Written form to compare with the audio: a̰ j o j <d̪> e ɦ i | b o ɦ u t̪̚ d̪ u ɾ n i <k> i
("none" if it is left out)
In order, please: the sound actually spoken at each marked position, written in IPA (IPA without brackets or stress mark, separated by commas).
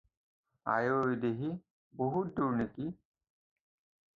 d̪, k